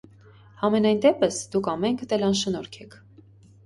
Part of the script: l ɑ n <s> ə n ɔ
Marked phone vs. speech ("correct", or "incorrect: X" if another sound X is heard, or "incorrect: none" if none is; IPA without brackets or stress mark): incorrect: ʃ